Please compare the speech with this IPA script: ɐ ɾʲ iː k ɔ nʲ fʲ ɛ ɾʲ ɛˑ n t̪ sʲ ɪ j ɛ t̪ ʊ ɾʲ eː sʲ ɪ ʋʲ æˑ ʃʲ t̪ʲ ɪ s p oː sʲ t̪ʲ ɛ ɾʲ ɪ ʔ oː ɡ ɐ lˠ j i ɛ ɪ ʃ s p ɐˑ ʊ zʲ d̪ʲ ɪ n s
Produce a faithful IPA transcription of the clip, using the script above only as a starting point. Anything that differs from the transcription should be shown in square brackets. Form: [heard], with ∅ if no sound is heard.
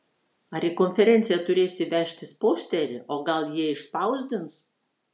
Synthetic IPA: ɐ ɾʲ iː k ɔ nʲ fʲ ɛ ɾʲ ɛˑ n t̪ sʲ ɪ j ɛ t̪ ʊ ɾʲ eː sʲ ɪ ʋʲ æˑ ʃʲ t̪ʲ ɪ s p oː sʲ t̪ʲ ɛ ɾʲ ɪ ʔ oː ɡ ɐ lˠ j i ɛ ɪ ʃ s p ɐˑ ʊ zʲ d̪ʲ ɪ n s